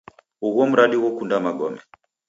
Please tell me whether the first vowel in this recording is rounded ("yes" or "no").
yes